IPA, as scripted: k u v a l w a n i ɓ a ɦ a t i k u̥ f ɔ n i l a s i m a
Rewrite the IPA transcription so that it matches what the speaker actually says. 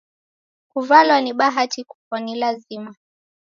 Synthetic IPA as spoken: k u v a l w a n i ɓ a ɦ a t i k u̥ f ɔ n i l a z i m a